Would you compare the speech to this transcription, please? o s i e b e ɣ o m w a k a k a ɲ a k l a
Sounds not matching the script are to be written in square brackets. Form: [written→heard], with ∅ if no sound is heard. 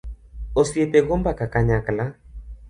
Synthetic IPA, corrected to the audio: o s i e [b→p] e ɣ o m [w→b] a k a k a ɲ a k l a